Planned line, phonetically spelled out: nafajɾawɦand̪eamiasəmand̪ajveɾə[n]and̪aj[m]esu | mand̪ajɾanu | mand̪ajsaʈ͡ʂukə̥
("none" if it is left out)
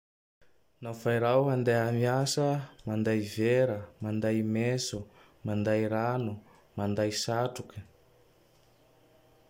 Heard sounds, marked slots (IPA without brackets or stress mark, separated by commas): m, m